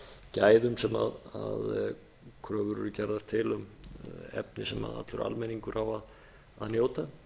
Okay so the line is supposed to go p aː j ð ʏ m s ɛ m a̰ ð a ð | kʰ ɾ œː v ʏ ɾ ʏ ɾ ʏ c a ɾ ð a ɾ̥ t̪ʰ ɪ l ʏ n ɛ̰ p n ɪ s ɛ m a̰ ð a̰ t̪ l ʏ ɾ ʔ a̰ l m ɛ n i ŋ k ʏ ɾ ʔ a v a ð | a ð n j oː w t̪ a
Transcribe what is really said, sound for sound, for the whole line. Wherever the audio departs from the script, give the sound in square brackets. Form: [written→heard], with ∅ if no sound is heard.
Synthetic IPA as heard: [p→c] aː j ð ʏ m s ɛ m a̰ ð a ð | kʰ ɾ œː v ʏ ɾ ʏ ɾ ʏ c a ɾ ð a ɾ̥ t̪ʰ ɪ l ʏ [n→m] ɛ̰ p n ɪ s ɛ m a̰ ð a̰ t̪ l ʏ ɾ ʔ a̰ l m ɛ n i ŋ k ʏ ɾ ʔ a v a ð | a ð n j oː w t̪ a